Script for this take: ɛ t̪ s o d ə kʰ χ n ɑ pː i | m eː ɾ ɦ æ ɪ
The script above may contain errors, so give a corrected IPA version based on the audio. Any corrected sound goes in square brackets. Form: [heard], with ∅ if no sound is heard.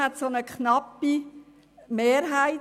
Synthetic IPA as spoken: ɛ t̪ s o [n] ə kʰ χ n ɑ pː i | m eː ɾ ɦ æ ɪ